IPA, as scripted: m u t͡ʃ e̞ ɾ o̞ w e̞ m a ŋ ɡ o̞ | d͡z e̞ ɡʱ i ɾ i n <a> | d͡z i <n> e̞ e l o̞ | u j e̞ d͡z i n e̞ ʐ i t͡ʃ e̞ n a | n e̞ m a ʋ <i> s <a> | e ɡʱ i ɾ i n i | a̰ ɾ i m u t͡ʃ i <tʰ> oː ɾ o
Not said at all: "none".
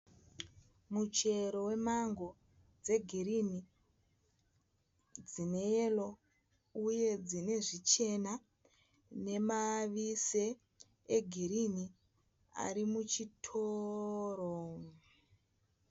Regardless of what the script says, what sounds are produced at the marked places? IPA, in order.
i, n, i, e, tʰ

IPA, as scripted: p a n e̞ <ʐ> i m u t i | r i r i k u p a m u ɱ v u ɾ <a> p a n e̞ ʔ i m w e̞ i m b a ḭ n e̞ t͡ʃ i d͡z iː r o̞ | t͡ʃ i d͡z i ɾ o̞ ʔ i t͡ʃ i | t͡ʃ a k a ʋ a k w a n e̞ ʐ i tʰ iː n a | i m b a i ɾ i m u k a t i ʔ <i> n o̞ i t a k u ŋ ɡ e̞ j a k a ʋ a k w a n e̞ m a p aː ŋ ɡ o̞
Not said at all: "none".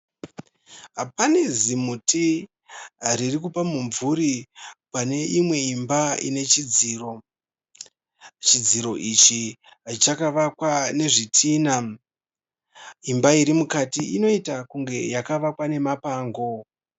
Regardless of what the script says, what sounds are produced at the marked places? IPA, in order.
z, i, i

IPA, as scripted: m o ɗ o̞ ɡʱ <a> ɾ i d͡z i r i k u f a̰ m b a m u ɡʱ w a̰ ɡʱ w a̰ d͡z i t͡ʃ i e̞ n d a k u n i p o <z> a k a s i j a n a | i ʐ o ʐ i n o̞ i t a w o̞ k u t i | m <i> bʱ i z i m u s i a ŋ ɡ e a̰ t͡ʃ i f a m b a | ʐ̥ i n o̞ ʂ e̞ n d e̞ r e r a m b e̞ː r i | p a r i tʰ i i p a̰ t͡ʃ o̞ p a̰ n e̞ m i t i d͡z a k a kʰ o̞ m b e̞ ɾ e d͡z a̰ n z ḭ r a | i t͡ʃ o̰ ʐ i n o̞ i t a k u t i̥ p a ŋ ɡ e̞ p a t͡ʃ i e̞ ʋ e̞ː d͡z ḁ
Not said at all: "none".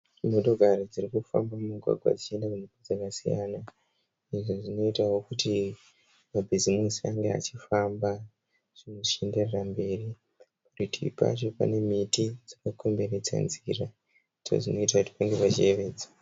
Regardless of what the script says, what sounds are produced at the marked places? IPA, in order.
a, d͡z, a

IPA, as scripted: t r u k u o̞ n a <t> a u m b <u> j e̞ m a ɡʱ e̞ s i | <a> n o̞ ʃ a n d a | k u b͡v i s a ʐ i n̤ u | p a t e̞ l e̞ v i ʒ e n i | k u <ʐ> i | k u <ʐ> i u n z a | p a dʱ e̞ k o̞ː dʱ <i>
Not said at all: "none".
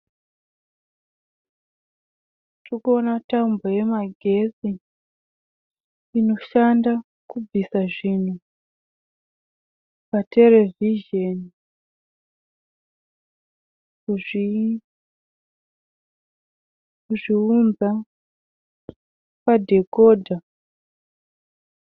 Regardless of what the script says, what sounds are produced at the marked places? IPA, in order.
t, o, i, ʐ, ʐ, a

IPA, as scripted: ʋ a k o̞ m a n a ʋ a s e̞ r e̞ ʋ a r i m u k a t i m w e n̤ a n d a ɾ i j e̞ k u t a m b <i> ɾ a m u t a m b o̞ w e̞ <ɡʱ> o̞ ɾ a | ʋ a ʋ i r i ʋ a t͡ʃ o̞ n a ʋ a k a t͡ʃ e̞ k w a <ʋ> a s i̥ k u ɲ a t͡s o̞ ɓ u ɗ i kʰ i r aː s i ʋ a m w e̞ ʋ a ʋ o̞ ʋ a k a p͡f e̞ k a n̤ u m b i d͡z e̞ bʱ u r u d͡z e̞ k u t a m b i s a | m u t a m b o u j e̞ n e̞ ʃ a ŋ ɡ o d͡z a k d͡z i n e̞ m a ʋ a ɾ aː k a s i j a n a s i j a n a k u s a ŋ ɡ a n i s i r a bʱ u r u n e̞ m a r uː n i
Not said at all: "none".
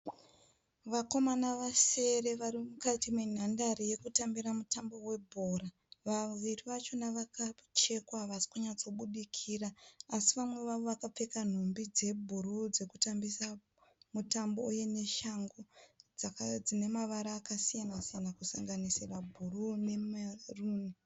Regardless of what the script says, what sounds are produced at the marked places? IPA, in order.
i, bʱ, ʋ

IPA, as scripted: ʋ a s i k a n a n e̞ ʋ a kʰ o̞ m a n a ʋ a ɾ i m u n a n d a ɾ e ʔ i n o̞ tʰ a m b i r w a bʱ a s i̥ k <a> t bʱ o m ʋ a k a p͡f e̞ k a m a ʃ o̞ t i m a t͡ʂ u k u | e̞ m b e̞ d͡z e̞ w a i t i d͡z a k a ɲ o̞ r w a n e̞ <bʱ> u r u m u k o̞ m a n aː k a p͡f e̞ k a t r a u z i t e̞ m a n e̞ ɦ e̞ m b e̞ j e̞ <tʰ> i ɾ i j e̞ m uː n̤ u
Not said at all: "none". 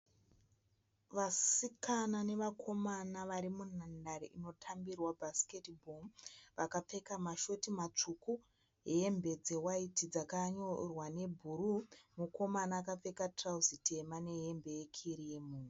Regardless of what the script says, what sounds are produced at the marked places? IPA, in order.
e, bʱ, kʰ

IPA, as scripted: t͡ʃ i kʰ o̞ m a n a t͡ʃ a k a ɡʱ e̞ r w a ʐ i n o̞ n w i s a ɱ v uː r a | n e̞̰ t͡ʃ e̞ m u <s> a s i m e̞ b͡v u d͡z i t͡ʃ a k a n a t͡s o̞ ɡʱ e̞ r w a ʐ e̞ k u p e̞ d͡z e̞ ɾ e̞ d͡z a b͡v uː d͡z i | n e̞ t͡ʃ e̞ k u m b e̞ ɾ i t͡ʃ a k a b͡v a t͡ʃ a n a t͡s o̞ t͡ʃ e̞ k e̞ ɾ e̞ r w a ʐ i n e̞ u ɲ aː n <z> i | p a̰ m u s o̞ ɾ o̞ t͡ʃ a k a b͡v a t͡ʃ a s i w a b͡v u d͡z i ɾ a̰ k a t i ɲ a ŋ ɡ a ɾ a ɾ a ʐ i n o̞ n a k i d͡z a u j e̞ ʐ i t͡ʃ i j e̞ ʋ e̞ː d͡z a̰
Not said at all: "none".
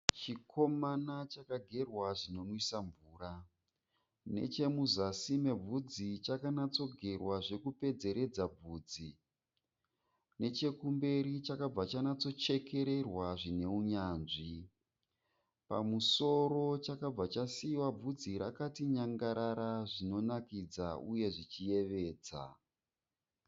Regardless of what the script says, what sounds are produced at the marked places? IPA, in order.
z, ʐ

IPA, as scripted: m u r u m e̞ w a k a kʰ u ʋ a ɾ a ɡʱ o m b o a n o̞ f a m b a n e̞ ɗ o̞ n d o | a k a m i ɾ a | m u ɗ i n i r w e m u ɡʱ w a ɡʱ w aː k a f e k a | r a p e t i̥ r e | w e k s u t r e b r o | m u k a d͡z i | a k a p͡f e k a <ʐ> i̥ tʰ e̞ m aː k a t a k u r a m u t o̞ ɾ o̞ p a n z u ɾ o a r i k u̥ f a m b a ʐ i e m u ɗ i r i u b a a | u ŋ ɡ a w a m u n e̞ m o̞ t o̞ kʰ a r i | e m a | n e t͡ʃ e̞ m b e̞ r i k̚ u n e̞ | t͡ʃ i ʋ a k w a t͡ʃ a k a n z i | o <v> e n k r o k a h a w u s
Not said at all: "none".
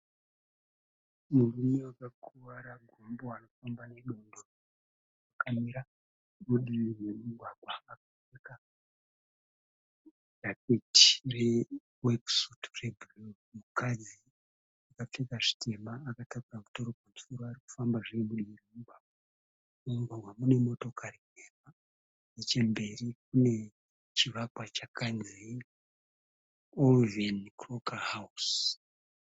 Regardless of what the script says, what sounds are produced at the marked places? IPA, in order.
ʐ, v

